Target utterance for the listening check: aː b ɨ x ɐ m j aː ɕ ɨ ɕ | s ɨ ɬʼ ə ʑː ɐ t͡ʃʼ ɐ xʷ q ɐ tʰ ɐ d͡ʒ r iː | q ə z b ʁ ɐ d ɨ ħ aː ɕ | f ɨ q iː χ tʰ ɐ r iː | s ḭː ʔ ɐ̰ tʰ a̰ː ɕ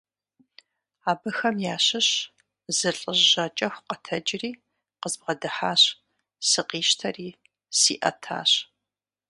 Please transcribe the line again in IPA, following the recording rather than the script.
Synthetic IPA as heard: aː b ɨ x ɐ m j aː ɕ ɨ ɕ | z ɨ ɬʼ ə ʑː ɐ t͡ʃʼ ɐ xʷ q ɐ tʰ ɐ d͡ʒ r iː | q ə z b ʁ ɐ d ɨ ħ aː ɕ | s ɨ q iː ʃ tʰ ɐ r iː | s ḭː ʔ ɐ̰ tʰ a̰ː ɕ